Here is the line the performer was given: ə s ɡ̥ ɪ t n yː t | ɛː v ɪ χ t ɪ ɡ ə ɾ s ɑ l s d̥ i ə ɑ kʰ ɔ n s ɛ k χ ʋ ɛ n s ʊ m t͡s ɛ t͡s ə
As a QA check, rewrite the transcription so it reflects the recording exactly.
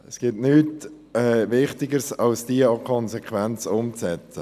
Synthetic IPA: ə s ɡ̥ ɪ t n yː t | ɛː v ɪ χ t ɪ ɡ ə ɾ s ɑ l s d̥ i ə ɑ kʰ ɔ n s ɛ k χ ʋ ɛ n t͡s ʊ m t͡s ɛ t͡s ə